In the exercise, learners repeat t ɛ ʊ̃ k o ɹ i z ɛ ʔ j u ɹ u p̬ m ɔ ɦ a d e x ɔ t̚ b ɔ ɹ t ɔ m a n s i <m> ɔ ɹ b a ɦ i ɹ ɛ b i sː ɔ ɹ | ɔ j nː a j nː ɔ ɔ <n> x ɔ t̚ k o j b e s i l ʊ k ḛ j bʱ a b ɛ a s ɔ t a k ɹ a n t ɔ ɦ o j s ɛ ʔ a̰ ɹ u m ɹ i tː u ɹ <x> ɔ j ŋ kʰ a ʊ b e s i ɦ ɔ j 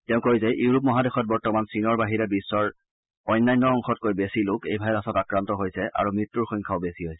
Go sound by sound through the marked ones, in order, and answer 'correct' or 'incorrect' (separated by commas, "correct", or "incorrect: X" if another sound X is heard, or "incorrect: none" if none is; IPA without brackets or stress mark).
incorrect: n, incorrect: ŋ, correct